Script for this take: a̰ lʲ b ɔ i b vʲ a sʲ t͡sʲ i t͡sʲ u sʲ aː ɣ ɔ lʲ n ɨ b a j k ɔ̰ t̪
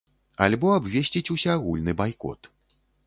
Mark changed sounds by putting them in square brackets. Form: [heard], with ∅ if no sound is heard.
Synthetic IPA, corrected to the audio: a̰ lʲ b ɔ [a] b vʲ [e] sʲ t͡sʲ i t͡sʲ u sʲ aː ɣ [u] lʲ n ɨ b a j k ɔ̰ t̪